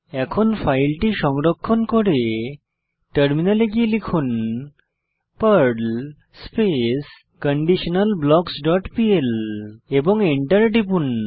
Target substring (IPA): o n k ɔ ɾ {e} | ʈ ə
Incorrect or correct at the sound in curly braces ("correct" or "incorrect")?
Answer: correct